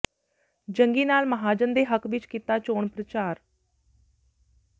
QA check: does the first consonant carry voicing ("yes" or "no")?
yes